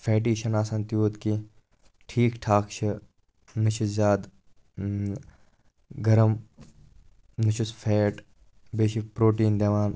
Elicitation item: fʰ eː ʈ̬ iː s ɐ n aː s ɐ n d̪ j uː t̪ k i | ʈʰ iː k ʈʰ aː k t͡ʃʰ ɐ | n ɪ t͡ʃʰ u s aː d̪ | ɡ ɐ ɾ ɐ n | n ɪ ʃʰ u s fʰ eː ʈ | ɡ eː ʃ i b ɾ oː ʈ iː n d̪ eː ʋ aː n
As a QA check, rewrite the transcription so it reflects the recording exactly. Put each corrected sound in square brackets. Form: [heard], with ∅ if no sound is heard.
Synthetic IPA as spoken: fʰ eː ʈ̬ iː [ʃ] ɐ n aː s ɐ n [t̪] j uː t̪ k i | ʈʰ iː k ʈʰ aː k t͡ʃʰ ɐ | n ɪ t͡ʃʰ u [z] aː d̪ | ɡ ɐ ɾ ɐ [m] | n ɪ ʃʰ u s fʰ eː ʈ | [b] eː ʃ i [p] ɾ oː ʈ iː n d̪ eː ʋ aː n